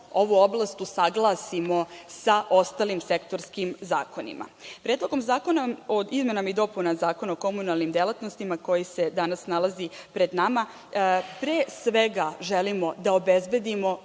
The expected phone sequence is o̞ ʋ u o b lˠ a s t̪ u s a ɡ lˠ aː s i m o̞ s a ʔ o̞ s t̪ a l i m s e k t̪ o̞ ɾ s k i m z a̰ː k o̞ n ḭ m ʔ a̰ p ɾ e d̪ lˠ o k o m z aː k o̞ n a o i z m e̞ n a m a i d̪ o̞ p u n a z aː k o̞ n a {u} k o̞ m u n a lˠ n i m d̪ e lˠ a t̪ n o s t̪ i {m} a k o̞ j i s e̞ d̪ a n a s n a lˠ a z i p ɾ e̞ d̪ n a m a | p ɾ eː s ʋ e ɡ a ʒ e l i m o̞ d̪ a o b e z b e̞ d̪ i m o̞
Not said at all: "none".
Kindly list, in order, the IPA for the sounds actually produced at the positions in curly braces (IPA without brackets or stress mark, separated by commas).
o, m